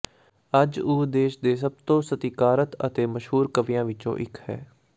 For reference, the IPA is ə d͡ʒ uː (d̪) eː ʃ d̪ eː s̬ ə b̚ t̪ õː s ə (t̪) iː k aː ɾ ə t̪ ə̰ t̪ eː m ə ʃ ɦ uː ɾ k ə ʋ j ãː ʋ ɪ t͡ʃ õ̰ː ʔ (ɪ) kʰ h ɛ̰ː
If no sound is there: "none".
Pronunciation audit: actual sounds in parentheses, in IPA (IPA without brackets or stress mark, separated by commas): d̪, t̪, ɪ